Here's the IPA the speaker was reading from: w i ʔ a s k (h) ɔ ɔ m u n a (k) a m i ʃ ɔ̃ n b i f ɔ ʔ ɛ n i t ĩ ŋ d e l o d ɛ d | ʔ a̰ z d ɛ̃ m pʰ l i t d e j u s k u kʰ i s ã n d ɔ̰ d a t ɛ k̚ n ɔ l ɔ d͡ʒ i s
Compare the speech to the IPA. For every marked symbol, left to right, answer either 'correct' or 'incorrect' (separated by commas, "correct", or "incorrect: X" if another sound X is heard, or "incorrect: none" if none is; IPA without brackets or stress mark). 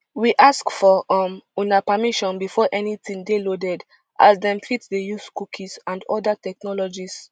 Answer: incorrect: f, incorrect: p